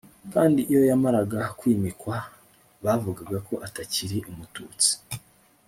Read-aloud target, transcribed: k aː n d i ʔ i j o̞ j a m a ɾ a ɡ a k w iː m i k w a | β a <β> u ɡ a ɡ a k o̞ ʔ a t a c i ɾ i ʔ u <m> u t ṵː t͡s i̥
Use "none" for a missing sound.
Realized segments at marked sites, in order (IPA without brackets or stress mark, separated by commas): v, m